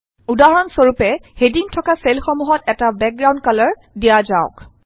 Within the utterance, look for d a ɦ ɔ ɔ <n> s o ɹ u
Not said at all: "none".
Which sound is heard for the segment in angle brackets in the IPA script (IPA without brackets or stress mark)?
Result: n